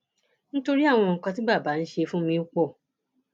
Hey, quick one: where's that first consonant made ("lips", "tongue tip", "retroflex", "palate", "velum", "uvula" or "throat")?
tongue tip